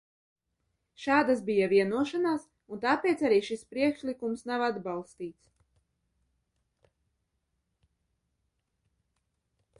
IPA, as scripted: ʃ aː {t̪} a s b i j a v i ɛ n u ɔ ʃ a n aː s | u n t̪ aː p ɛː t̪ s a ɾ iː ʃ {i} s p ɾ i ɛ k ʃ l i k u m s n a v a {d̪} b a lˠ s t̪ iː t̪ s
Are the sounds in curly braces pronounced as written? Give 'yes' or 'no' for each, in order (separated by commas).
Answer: no, yes, yes